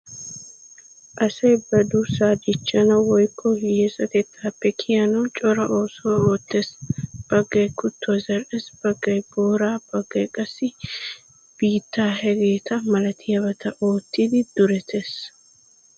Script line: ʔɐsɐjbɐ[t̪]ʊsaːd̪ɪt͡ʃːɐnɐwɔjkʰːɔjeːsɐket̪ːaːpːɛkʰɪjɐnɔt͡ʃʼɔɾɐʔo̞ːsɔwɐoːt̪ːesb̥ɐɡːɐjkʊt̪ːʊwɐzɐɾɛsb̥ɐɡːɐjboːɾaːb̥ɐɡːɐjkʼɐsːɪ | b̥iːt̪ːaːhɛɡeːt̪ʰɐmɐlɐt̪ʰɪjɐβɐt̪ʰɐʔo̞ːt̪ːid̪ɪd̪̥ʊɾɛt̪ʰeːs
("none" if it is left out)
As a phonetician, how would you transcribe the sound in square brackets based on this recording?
d̪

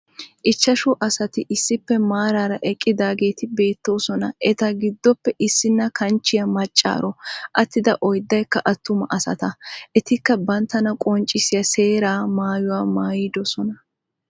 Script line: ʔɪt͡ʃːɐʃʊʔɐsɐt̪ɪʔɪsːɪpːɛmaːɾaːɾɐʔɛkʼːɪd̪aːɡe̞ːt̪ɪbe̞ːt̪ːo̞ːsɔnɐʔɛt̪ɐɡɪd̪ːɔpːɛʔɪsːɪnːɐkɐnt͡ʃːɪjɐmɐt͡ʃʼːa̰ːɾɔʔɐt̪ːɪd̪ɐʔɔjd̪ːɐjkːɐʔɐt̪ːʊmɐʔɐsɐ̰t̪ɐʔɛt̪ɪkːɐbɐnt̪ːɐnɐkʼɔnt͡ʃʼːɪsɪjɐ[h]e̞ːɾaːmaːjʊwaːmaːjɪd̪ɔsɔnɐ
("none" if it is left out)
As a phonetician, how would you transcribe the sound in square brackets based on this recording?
s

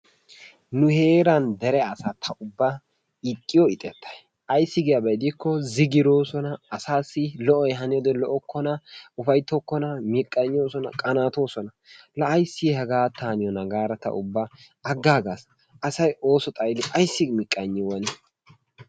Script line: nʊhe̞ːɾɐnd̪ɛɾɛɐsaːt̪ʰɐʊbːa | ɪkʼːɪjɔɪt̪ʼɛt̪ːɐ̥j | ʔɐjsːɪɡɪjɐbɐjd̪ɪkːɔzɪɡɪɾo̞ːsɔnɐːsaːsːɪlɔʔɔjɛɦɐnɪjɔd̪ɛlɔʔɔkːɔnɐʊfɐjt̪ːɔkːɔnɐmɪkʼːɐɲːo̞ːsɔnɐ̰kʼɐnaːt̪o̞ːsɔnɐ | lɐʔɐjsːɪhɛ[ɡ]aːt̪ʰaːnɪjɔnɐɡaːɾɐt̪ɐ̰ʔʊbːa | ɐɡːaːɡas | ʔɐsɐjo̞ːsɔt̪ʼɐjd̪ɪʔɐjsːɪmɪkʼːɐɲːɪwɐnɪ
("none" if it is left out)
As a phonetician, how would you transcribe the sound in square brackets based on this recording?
ɡ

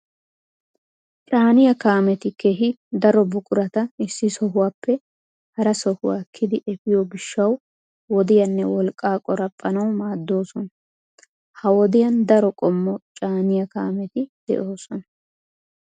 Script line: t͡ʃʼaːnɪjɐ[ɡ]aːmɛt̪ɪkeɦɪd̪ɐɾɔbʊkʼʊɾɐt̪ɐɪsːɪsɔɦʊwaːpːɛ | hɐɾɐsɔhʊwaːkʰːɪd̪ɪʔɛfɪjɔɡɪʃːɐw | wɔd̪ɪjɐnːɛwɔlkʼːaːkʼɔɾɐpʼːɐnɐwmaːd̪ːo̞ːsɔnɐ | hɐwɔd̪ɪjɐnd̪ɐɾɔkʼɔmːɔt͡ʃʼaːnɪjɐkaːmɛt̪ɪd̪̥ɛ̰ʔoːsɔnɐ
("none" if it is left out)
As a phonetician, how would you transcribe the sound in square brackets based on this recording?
k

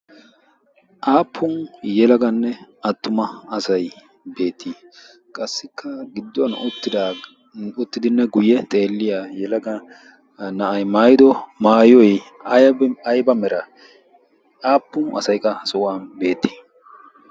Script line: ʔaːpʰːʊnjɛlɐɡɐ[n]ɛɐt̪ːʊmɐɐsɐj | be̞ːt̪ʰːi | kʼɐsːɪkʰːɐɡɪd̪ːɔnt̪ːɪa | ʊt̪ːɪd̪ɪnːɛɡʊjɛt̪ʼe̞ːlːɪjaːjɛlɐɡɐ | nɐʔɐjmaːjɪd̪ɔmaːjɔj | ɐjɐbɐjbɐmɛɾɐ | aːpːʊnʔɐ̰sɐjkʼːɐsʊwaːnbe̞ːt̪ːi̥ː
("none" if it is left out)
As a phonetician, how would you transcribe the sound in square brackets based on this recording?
nː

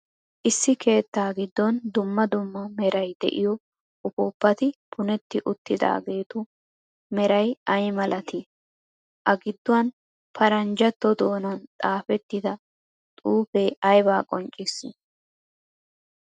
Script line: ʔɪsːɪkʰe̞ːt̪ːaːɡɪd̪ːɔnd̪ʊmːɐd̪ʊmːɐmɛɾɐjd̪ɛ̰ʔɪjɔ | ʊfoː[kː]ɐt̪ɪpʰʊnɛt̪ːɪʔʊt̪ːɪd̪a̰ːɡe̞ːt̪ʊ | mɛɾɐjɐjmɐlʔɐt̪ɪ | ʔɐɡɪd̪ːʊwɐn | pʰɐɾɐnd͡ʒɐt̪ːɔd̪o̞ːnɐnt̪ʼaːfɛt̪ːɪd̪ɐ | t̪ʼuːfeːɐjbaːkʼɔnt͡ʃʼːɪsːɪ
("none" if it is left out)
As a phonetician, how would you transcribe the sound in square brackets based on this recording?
pː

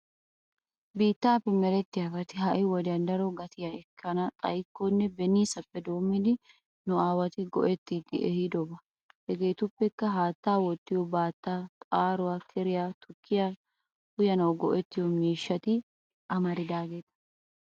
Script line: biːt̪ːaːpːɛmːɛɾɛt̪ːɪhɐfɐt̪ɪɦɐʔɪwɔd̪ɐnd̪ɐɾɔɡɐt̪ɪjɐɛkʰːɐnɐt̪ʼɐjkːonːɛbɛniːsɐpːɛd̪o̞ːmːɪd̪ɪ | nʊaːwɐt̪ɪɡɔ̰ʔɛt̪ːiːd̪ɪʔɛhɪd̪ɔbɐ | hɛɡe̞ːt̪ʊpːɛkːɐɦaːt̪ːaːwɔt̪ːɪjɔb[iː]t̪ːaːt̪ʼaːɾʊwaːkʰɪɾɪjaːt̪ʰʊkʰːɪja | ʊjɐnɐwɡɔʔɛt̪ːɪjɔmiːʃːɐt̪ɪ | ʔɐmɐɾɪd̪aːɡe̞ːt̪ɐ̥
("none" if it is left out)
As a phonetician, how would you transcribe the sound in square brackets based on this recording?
aː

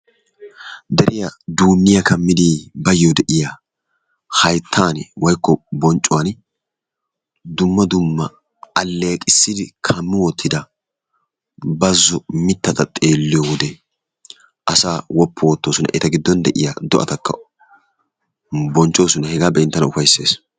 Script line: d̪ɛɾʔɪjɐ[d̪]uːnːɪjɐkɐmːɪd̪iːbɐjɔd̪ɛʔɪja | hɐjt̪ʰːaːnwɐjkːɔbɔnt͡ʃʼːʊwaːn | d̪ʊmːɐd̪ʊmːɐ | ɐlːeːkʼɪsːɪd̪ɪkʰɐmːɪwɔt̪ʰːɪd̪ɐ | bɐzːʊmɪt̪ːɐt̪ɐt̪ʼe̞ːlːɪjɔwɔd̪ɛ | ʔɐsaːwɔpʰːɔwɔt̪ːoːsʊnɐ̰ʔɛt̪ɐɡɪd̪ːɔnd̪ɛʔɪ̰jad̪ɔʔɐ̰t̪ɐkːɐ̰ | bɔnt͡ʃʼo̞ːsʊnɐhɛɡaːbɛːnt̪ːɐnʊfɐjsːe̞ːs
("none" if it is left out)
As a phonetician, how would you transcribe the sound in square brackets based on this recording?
d̪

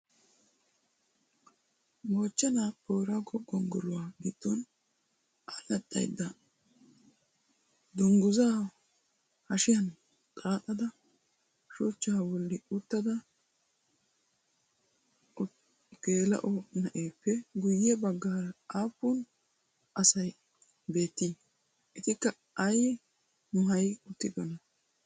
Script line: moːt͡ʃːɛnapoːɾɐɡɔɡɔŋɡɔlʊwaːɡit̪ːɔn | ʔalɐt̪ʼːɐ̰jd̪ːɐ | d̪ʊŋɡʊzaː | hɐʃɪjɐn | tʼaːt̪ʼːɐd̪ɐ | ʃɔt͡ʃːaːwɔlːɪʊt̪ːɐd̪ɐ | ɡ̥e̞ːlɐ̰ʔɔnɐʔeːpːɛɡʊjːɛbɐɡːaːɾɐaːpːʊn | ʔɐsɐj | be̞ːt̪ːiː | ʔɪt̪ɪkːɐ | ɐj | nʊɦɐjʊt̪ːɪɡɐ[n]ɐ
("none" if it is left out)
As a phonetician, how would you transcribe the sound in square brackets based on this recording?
n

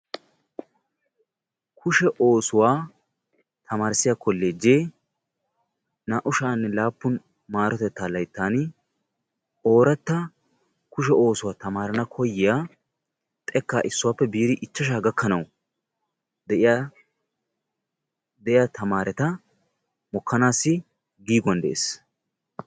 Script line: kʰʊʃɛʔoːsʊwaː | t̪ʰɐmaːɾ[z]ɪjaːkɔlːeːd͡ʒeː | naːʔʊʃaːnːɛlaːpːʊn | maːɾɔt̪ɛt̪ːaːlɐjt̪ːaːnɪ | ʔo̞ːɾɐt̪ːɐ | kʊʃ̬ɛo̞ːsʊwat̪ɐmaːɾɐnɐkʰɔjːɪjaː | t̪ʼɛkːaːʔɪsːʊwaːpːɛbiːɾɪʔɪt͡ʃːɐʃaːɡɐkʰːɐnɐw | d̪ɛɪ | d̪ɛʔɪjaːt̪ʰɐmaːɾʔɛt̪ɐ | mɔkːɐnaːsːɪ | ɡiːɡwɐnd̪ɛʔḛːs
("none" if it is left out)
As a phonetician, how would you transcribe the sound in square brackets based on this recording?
s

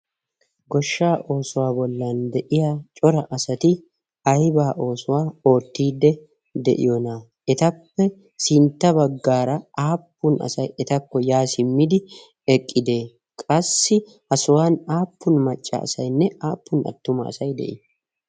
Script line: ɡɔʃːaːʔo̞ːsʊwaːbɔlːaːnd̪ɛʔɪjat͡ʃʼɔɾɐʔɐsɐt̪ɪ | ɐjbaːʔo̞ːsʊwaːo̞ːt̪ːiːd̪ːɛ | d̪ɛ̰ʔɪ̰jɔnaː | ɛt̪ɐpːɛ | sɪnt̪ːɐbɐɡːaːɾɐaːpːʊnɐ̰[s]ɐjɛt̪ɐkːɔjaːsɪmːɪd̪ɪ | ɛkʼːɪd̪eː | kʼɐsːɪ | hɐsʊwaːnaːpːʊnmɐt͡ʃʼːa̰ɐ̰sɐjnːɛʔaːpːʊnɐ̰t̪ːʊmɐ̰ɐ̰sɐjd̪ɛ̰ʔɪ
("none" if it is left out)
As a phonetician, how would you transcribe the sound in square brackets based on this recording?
s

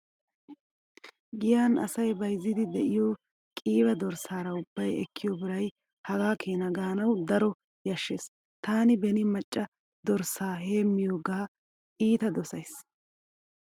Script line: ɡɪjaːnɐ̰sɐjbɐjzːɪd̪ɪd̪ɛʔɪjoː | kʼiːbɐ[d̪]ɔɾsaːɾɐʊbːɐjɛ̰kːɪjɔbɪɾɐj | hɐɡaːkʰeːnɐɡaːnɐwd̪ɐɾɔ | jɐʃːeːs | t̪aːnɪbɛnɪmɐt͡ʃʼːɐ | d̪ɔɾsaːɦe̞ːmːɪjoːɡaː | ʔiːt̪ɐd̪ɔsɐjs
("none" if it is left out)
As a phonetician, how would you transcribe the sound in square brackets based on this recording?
d̪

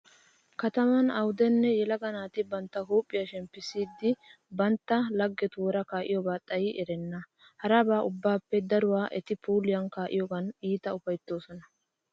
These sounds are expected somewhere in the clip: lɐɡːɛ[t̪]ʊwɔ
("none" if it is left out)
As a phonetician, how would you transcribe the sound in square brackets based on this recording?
t̪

